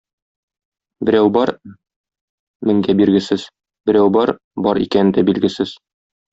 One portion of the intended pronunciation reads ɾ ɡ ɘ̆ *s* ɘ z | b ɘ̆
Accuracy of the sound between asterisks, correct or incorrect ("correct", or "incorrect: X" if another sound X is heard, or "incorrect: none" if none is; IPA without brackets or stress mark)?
correct